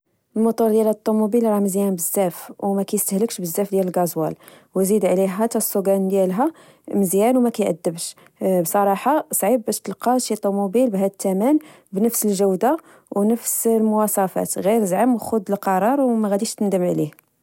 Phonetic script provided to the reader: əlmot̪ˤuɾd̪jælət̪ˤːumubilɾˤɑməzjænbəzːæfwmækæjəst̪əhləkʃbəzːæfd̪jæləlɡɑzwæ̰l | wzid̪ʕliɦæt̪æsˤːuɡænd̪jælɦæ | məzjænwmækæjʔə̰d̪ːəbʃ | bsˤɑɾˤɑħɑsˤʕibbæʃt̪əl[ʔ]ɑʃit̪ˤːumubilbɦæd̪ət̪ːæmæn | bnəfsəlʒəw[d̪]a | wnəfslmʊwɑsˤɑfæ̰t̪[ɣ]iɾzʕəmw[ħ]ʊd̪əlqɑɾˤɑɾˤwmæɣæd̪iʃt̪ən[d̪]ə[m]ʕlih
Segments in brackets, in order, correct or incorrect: incorrect, correct, correct, incorrect, correct, correct

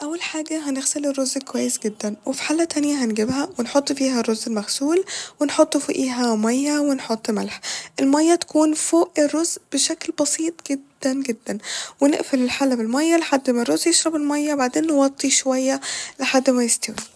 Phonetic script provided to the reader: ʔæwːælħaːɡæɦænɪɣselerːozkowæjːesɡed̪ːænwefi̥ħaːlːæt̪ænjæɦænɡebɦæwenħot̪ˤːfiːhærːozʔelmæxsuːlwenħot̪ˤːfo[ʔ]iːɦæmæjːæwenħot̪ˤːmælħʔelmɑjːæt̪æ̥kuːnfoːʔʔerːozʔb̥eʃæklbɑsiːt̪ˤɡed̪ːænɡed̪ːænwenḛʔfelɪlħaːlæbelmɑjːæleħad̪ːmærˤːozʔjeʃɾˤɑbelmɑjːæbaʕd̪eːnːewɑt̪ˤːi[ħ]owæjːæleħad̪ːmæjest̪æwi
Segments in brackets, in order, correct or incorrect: correct, incorrect

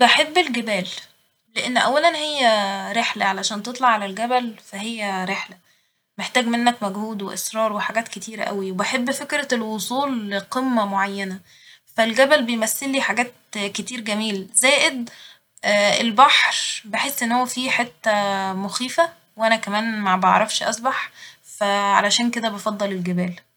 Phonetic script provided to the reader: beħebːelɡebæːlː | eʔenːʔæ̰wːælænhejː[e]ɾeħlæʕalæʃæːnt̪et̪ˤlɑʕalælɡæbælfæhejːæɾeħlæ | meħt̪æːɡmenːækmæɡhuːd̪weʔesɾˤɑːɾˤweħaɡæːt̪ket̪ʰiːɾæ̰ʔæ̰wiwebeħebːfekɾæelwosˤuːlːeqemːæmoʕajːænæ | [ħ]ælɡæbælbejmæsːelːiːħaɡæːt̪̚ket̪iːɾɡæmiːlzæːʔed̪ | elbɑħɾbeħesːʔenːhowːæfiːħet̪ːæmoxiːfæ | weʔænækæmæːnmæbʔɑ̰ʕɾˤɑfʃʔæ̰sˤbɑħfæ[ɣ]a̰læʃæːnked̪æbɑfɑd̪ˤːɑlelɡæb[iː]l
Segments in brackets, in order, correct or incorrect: incorrect, incorrect, incorrect, incorrect

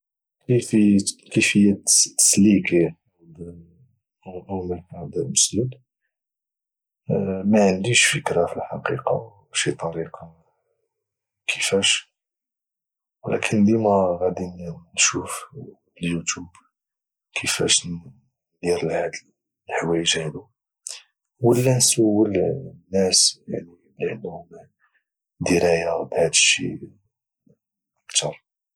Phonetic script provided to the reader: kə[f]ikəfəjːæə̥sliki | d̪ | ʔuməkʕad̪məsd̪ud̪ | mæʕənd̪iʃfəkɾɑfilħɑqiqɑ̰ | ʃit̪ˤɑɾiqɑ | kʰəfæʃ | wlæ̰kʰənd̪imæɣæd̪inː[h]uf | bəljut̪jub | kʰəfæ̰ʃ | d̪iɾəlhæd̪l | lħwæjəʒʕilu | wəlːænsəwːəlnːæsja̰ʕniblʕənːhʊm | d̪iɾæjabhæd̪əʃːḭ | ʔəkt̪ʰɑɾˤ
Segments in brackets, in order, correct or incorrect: correct, incorrect

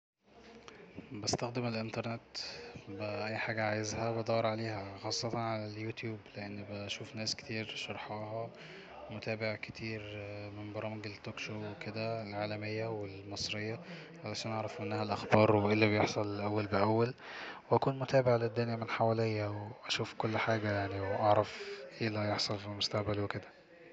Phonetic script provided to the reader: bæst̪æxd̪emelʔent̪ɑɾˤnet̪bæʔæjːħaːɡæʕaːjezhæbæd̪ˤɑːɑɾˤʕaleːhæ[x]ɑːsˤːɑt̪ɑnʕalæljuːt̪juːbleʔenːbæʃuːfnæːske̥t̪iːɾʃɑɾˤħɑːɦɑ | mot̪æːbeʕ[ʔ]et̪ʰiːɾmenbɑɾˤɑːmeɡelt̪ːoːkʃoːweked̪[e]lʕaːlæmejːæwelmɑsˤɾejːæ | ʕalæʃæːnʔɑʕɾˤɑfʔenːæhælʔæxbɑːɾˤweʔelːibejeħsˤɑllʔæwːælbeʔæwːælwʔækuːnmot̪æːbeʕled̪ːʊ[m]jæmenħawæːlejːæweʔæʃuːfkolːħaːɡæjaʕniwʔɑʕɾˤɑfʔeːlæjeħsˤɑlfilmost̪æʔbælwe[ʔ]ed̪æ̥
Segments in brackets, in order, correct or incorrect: correct, incorrect, incorrect, incorrect, incorrect

